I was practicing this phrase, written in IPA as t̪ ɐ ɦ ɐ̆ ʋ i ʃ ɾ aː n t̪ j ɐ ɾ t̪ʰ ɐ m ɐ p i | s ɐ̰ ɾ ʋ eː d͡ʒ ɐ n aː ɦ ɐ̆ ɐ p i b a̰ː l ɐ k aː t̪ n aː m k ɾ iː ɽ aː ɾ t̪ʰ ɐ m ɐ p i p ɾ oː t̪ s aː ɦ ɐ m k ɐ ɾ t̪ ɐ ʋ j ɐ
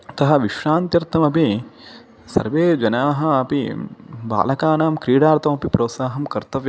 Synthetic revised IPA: t̪ ɐ ɦ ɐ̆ ʋ i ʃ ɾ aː n t̪ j ɐ ɾ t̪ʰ ɐ m ɐ p i | s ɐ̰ ɾ ʋ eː d͡ʒ ɐ n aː ɦ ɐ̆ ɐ p i b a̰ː l ɐ k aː n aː m k ɾ iː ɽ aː ɾ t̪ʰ ɐ m ɐ p i p ɾ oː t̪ s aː ɦ ɐ m k ɐ ɾ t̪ ɐ ʋ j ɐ